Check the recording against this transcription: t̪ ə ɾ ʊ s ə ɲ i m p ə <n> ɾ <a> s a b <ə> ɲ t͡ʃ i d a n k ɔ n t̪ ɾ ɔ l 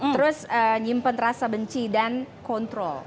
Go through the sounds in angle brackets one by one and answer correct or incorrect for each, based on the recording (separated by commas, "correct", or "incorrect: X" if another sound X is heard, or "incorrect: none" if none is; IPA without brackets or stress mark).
correct, correct, correct